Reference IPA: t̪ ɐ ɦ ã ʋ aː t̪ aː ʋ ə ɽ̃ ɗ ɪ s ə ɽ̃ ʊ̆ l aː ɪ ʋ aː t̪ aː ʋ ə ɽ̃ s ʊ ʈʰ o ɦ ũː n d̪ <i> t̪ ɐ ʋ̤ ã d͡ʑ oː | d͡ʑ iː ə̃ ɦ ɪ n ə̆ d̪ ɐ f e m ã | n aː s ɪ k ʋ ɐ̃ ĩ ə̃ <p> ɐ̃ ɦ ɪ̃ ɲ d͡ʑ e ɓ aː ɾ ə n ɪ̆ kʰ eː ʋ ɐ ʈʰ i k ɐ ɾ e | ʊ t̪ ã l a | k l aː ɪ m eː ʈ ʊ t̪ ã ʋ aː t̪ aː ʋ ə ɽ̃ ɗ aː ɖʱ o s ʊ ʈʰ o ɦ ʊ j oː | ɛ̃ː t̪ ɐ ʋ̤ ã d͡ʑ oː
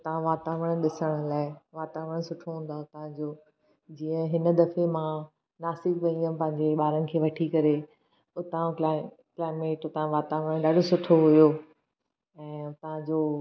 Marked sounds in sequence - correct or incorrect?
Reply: incorrect: a, correct

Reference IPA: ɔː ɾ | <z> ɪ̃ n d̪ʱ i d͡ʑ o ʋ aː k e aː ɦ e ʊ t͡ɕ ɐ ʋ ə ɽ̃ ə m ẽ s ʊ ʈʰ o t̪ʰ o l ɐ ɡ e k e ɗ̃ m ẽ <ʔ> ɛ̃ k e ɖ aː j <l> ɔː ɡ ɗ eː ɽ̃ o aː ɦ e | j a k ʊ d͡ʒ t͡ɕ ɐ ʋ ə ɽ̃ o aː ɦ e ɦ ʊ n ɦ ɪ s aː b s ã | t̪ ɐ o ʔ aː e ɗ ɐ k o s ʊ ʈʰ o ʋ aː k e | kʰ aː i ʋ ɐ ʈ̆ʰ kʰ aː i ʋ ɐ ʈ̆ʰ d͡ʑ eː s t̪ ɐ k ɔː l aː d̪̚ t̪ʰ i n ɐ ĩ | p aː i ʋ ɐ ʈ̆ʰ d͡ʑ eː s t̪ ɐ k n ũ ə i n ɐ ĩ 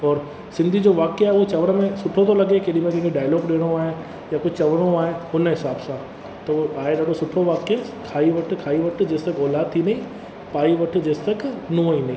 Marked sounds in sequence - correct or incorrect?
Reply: incorrect: s, incorrect: k, correct

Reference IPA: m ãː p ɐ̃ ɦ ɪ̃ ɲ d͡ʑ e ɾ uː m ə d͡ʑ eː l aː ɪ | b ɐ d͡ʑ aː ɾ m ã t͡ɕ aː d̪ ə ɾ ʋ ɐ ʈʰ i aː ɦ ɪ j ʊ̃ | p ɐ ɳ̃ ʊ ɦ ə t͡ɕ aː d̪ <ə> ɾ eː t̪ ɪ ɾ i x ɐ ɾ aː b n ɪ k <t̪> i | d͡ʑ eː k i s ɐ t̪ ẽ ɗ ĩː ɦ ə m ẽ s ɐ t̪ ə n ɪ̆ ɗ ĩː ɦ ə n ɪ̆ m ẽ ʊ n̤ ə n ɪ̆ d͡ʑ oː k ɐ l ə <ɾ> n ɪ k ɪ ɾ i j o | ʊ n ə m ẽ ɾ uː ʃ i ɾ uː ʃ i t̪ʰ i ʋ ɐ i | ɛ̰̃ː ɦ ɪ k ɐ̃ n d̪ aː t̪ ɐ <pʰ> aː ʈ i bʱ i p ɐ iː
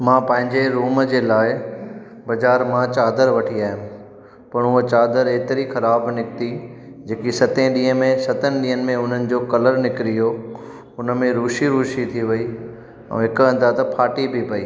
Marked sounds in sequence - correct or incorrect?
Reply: correct, correct, correct, correct

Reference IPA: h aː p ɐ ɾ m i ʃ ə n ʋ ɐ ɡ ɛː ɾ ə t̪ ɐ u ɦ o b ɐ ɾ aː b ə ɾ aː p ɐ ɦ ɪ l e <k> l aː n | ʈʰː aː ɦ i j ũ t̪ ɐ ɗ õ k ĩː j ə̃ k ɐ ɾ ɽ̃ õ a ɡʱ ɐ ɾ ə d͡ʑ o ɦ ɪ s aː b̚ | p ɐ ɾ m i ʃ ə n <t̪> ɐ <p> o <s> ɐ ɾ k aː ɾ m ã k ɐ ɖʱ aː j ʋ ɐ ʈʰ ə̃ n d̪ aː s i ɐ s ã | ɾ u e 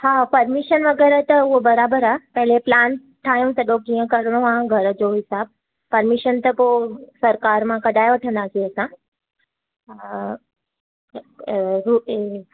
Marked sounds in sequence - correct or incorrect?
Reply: incorrect: p, correct, correct, correct

